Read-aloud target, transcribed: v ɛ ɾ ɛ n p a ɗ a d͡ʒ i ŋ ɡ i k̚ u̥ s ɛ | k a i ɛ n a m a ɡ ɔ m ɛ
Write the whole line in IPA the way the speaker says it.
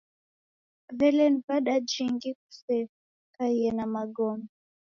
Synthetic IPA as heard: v ɛ l ɛ n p a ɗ a d͡ʒ i ŋ ɡ i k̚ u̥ s ɛ | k a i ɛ n a m a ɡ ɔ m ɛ